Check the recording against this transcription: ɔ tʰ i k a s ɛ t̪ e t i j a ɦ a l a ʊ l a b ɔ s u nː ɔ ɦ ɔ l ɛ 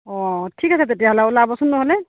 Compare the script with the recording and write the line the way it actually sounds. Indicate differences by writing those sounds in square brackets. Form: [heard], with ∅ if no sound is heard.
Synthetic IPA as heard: ɔ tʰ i k a s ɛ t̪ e t i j a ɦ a l a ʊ l a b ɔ s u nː ɔ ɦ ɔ l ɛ